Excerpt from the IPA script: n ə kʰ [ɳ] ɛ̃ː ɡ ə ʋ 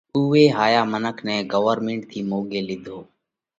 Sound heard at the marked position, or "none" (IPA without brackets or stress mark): n